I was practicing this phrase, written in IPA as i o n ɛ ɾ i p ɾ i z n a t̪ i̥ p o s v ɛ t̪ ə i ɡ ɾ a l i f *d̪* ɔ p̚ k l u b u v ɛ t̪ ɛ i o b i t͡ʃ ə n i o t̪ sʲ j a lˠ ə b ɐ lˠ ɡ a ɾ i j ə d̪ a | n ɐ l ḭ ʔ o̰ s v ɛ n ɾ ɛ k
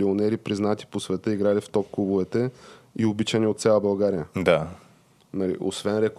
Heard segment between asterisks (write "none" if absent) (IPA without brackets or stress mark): t̪